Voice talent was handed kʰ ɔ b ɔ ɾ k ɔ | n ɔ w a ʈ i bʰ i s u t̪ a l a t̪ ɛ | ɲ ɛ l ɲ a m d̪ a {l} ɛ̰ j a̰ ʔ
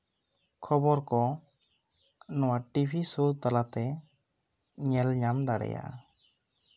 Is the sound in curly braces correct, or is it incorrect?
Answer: incorrect